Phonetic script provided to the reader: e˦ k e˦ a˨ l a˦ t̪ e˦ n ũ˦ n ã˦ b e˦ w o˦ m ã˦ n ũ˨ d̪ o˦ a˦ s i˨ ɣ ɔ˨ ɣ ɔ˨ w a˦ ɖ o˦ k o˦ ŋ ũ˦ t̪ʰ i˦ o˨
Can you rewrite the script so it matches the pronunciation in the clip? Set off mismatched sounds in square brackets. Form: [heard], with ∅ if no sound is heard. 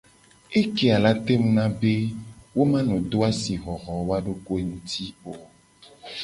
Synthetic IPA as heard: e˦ k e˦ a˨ l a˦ t̪ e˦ [m] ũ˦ n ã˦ b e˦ w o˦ m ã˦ n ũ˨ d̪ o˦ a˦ s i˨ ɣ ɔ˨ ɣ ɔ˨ w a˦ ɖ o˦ k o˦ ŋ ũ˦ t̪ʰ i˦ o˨

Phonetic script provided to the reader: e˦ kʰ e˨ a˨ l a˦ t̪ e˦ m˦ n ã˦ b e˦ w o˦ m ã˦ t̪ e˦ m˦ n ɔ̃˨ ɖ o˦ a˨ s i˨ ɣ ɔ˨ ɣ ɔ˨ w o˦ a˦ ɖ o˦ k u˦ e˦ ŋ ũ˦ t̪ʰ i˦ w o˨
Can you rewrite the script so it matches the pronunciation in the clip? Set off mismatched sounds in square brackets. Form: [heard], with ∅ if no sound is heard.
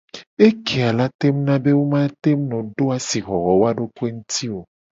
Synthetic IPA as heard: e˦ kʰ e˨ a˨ l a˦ t̪ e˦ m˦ n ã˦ b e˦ w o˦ m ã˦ t̪ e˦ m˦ n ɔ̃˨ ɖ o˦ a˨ s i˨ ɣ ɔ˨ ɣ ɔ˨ w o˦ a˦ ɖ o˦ k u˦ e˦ ŋ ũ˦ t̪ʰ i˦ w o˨

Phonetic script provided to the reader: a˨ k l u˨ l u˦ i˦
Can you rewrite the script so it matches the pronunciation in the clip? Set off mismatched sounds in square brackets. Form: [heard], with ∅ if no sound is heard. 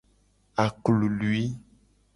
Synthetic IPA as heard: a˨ k l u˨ l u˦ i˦

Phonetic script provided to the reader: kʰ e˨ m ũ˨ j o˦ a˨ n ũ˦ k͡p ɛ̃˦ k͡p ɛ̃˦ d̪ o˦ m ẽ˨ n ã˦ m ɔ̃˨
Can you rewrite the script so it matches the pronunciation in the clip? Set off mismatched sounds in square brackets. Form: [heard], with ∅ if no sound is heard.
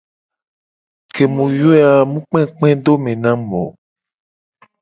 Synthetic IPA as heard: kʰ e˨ m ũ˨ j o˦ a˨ [m] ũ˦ k͡p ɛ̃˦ k͡p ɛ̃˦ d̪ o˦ m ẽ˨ n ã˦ m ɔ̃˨

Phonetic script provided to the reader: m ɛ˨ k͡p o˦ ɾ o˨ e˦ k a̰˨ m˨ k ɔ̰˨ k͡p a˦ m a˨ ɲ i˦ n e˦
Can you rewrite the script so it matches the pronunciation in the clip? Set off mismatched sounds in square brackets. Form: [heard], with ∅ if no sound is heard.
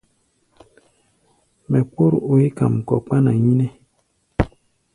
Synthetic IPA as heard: m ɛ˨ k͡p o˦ ɾ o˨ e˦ k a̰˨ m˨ k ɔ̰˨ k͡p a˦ [n] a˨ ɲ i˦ n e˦

